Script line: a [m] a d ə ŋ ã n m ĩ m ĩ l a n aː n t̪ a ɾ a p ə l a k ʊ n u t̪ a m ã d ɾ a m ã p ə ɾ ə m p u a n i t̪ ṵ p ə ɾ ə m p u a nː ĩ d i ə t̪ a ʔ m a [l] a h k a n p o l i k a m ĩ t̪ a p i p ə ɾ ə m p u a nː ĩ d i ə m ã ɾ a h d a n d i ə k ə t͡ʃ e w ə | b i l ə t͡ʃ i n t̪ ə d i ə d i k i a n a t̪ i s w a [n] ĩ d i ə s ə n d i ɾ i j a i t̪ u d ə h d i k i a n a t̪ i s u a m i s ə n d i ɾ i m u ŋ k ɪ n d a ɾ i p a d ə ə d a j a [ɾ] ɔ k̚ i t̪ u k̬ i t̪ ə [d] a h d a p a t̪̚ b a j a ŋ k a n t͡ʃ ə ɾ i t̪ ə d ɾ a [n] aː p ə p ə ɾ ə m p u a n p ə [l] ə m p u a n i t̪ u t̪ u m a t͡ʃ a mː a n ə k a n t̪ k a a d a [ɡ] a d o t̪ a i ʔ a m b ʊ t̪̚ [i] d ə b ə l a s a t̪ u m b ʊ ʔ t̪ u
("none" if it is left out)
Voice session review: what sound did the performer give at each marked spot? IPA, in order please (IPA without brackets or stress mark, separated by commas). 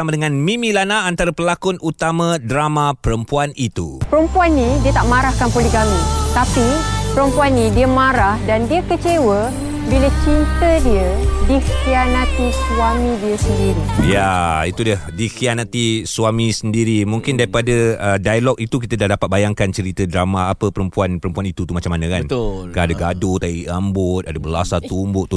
m, ɾ, m, l, d, m, ɾ, ɡ, a